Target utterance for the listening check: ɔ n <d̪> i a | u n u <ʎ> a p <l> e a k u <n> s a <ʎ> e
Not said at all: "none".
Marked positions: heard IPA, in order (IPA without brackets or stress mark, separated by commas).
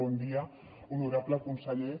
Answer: d̪, ɾ, l, n, ʎ